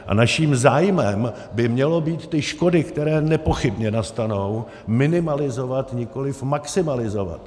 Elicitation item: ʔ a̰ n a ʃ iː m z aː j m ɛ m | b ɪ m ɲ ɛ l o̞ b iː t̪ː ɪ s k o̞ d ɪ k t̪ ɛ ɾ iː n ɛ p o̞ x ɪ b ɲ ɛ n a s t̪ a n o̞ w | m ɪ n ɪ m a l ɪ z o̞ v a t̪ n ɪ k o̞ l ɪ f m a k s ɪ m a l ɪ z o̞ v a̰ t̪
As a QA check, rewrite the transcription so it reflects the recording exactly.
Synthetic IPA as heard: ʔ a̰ n a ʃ iː m z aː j m ɛ m | b ɪ m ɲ ɛ l o̞ b iː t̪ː ɪ ʃ k o̞ d ɪ k t̪ ɛ ɾ ɛː n ɛ p o̞ x ɪ b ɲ ɛ n a s t̪ a n o̞ w | m ɪ n ɪ m a l ɪ z o̞ v a t̪ ɲ ɪ k o̞ l ɪ f m a k s ɪ m a l ɪ z o̞ v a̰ t̪